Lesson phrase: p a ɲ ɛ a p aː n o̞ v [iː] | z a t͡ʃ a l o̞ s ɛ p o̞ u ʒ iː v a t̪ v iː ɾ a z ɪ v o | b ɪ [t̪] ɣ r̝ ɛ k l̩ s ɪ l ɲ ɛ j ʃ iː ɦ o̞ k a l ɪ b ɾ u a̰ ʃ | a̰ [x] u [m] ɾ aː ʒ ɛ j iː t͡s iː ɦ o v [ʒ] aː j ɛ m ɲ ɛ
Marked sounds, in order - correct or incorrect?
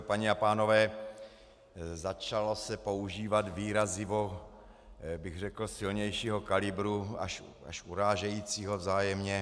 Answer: incorrect, incorrect, incorrect, incorrect, incorrect

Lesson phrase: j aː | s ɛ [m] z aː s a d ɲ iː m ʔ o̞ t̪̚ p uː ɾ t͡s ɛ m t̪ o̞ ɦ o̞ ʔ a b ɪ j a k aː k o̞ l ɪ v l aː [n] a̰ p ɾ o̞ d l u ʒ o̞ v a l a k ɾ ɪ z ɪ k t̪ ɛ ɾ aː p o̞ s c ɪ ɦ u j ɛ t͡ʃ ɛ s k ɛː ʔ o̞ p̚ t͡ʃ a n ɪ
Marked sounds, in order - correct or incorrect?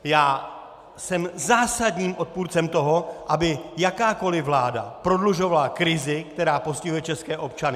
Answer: correct, incorrect

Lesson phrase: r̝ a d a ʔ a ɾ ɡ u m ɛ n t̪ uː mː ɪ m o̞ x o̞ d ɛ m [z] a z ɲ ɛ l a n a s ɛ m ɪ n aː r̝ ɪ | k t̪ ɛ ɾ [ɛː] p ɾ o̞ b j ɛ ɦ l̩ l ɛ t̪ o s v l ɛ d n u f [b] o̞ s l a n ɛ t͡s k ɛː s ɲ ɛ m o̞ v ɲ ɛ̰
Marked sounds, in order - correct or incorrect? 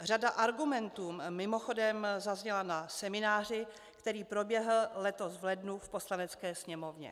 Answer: correct, incorrect, incorrect

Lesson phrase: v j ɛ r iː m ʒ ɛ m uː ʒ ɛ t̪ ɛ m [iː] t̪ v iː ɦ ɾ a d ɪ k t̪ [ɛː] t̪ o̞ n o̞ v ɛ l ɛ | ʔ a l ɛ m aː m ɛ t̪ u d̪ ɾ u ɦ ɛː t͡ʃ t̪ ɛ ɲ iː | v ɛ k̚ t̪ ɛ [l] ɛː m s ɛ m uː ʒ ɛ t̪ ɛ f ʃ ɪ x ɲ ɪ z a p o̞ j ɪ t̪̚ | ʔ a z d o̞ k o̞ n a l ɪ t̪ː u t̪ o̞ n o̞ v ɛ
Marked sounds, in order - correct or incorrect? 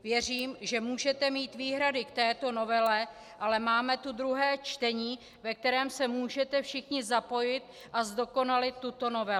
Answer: correct, correct, incorrect

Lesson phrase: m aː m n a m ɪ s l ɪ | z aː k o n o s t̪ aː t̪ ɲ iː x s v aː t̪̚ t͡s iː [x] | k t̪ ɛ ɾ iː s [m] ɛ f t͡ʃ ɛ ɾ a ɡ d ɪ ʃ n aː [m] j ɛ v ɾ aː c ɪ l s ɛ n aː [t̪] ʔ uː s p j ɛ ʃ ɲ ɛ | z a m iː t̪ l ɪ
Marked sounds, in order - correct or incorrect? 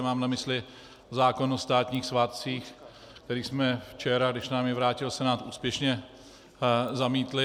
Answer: correct, correct, correct, correct

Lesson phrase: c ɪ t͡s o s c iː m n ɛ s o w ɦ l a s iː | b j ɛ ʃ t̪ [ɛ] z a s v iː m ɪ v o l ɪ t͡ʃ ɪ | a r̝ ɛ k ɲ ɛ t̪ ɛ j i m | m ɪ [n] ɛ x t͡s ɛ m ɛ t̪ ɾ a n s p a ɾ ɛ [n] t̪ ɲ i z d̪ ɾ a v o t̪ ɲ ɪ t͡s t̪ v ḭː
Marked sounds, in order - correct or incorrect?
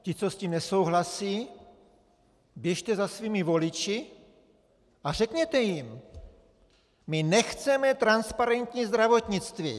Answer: correct, correct, correct

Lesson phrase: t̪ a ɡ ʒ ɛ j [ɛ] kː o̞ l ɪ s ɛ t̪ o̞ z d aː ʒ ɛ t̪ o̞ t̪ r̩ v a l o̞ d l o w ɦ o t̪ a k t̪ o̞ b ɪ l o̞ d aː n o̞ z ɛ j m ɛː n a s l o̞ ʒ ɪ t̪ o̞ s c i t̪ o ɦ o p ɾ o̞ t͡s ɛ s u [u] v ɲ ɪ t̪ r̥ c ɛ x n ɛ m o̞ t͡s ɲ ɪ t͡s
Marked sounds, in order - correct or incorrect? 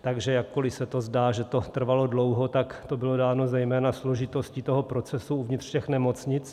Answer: incorrect, correct

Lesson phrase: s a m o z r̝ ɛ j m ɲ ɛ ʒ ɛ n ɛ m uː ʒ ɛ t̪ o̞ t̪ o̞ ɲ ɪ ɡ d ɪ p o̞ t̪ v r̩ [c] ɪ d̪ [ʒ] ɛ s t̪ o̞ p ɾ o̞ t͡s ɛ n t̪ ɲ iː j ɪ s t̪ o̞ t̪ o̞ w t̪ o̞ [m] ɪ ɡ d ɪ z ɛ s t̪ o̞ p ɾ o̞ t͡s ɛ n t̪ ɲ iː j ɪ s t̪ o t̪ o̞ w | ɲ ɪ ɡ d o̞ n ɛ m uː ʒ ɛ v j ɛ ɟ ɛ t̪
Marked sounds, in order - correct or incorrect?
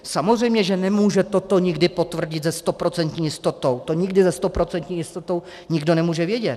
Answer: incorrect, incorrect, incorrect

